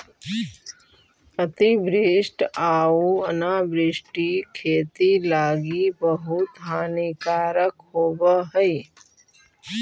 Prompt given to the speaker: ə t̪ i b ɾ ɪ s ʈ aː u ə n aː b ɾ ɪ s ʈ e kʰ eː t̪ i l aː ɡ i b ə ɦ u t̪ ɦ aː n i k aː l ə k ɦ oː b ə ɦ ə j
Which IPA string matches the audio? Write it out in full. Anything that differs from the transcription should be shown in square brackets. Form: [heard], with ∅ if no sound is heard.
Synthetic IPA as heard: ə t̪ i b ɾ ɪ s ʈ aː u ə n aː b ɾ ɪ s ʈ [i] kʰ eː t̪ i l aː ɡ i b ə ɦ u t̪ ɦ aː n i k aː [ɾ] ə k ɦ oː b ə ɦ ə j